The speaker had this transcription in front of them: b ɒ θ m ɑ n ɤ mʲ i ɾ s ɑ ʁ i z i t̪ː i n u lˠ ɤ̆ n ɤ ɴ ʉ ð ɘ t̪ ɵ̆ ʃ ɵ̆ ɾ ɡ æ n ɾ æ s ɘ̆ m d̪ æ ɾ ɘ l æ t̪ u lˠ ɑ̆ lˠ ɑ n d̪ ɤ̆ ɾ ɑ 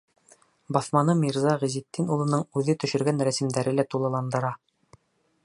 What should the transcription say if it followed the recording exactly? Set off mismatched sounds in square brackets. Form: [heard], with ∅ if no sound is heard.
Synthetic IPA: b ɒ θ m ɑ n ɤ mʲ i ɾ [z] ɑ ʁ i z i t̪ː i n u lˠ ɤ̆ n ɤ ɴ ʉ ð ɘ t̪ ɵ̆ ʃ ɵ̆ ɾ ɡ æ n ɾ æ s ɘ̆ m d̪ æ ɾ ɘ l æ t̪ u lˠ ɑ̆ lˠ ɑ n d̪ ɤ̆ ɾ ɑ

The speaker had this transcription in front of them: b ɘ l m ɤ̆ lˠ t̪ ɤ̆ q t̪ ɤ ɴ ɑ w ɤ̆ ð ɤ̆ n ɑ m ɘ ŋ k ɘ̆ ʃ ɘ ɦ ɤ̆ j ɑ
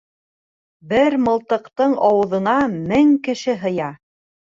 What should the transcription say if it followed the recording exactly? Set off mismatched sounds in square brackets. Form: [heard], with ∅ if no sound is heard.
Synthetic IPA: b ɘ [ɾ] m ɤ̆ lˠ t̪ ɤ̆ q t̪ ɤ ɴ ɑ w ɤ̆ ð ɤ̆ n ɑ m ɘ ŋ k ɘ̆ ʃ ɘ ɦ ɤ̆ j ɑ

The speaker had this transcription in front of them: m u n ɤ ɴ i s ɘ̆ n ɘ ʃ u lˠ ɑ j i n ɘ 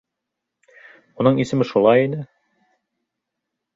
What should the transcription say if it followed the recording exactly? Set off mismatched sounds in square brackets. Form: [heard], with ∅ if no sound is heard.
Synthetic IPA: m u n ɤ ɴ i s ɘ̆ [m] ɘ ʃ u lˠ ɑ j i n ɘ

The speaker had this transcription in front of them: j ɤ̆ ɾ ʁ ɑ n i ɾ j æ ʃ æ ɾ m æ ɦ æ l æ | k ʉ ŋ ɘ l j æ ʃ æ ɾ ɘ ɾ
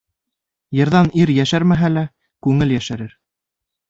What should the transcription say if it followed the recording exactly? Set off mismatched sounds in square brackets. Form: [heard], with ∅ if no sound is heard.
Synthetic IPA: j ɤ̆ ɾ [ð] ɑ n i ɾ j æ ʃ æ ɾ m æ ɦ æ l æ | k ʉ ŋ ɘ l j æ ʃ æ ɾ ɘ ɾ

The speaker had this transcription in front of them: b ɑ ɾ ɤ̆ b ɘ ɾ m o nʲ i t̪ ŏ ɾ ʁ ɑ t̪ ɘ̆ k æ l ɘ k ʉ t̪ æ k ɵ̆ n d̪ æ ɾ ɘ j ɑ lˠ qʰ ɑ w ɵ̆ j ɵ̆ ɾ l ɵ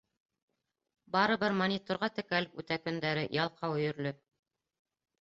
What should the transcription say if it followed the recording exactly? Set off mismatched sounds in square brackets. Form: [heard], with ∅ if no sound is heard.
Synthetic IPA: b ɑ ɾ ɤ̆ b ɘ ɾ m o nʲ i t̪ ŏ ɾ ʁ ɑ t̪ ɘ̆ k æ l ɘ [p] ʉ t̪ æ k ɵ̆ n d̪ æ ɾ ɘ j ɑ lˠ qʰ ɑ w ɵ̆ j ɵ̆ ɾ l ɵ

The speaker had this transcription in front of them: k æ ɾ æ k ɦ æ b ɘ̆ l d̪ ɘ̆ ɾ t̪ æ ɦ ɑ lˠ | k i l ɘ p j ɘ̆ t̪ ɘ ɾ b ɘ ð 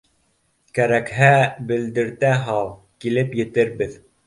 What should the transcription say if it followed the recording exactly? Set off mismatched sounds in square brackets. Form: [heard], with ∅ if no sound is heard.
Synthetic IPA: k æ ɾ æ k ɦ æ b ɘ̆ l d̪ ɘ̆ ɾ t̪ æ ɦ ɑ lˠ | k i l ɘ p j ɘ̆ t̪ ɘ ɾ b ɘ ð

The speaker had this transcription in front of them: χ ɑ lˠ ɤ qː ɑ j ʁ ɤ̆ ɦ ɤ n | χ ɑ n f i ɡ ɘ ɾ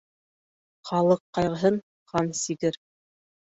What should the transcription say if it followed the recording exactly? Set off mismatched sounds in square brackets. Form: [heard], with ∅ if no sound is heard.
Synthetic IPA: χ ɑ lˠ ɤ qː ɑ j ʁ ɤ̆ ɦ ɤ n | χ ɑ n [s] i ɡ ɘ ɾ

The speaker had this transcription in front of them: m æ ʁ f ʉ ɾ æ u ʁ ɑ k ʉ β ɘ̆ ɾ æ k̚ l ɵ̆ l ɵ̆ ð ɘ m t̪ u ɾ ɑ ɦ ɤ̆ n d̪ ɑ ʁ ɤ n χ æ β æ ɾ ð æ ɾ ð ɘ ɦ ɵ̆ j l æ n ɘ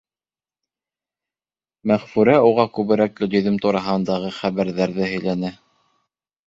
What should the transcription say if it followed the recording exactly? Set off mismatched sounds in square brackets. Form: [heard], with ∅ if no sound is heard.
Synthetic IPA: m æ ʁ f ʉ ɾ æ u ʁ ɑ k ʉ β ɘ̆ ɾ æ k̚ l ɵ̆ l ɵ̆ ð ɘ m t̪ u ɾ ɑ ɦ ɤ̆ n d̪ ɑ ʁ ɤ [∅] χ æ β æ ɾ ð æ ɾ ð ɘ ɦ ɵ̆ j l æ n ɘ

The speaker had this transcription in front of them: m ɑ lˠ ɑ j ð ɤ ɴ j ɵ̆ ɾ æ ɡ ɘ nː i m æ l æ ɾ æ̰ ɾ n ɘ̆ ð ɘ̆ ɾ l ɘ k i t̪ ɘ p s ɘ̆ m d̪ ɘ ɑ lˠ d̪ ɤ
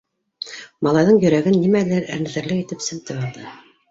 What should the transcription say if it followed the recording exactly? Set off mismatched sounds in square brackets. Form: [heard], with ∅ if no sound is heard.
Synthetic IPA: m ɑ lˠ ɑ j ð ɤ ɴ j ɵ̆ ɾ æ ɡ ɘ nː i m æ l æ ɾ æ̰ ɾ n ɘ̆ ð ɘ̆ ɾ l ɘ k i t̪ ɘ p s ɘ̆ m [t̪] ɘ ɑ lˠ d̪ ɤ

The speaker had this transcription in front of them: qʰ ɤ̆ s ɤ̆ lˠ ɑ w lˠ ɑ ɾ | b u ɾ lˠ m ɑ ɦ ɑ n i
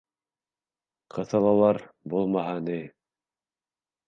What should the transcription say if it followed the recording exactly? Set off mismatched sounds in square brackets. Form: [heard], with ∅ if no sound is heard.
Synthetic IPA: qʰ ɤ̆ [θ] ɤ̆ lˠ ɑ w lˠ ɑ ɾ | b u [∅] lˠ m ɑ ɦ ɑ n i

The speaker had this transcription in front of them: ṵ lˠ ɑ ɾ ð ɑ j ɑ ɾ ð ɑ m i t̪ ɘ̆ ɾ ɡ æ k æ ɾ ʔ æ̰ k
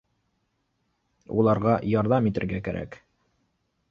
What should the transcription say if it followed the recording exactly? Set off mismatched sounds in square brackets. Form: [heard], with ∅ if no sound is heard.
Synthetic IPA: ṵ lˠ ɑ ɾ [ʁ] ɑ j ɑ ɾ ð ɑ m i t̪ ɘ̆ ɾ ɡ æ k æ ɾ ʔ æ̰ k

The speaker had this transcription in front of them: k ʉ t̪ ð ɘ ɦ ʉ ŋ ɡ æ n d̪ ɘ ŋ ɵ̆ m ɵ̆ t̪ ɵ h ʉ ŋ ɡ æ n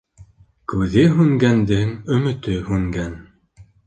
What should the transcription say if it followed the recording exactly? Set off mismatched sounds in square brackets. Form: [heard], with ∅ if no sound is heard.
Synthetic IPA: k ʉ [∅] ð ɘ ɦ ʉ ŋ ɡ æ n d̪ ɘ ŋ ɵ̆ m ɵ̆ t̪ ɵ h ʉ ŋ ɡ æ n

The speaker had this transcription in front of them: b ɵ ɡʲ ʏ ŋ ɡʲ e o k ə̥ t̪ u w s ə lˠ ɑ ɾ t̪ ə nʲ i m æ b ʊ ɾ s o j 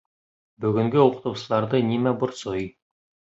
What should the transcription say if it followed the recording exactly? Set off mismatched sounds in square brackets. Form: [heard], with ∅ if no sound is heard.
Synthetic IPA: b ɵ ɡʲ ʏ ŋ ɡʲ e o [q] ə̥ t̪ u w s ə lˠ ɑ ɾ [d̪] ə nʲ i m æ b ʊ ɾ s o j

